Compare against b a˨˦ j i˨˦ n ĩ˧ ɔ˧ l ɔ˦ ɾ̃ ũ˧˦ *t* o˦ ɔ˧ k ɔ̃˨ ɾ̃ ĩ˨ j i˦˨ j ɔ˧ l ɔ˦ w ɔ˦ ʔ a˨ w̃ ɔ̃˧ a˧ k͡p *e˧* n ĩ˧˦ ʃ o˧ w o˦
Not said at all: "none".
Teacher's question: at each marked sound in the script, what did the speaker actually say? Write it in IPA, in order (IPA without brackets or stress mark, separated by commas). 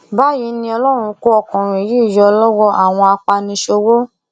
k, a˧